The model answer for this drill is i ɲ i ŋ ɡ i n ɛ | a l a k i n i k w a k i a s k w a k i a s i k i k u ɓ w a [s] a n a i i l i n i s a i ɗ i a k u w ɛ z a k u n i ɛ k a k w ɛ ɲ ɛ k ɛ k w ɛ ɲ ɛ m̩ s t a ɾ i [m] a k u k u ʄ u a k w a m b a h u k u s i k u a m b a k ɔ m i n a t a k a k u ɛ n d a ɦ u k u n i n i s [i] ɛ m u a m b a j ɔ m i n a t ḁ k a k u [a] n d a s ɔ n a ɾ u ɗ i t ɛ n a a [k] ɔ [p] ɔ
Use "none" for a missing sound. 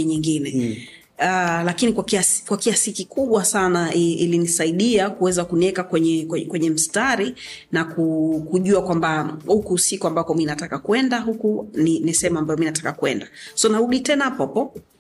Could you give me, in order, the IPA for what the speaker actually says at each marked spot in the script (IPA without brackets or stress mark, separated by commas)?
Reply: s, n, ɛ, ɛ, p, p